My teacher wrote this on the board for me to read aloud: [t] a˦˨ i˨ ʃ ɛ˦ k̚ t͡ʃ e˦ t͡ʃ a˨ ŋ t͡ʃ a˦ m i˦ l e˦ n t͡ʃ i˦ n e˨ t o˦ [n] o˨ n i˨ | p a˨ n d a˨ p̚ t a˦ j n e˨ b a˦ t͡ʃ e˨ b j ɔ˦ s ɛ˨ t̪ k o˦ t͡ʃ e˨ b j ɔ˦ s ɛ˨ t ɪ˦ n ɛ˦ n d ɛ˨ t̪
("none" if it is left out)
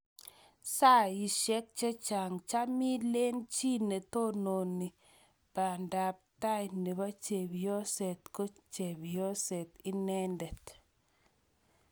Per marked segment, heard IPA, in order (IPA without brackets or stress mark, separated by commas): s, n